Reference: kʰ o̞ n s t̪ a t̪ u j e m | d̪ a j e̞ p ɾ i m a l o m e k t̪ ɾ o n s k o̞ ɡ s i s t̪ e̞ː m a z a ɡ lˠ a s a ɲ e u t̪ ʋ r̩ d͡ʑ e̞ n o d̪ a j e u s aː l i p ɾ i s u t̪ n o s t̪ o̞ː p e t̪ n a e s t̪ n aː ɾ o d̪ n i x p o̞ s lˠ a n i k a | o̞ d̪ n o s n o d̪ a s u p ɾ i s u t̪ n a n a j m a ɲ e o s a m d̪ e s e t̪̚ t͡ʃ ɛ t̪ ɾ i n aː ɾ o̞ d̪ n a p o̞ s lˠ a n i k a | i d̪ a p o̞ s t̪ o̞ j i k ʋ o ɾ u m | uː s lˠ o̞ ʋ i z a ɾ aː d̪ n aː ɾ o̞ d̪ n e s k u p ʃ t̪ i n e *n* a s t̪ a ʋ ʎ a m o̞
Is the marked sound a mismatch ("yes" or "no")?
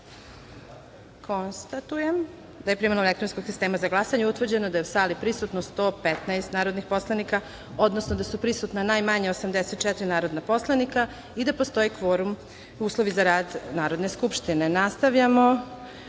no